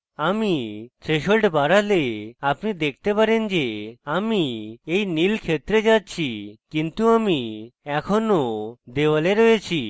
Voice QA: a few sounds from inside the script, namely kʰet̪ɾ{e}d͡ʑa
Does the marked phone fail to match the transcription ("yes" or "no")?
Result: no